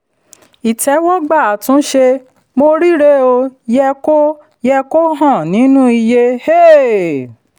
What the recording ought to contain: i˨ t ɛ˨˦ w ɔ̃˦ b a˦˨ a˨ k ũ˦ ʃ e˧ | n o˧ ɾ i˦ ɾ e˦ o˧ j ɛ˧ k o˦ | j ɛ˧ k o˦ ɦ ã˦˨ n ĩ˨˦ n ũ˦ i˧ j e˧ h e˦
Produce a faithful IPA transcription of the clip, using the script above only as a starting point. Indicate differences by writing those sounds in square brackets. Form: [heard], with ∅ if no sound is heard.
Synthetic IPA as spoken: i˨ t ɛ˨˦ w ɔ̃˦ [ɡ͡b] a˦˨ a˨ [t] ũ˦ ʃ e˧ | [m] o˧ ɾ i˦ ɾ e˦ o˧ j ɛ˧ k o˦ | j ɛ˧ k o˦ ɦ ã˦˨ n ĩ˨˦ n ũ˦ i˧ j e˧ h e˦